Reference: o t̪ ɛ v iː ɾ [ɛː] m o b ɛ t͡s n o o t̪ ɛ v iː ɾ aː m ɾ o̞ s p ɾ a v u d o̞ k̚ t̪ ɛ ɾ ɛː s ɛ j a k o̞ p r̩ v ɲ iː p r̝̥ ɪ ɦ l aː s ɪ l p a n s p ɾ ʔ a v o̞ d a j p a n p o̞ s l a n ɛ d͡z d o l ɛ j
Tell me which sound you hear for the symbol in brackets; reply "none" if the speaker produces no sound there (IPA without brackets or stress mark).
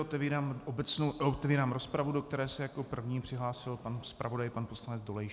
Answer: aː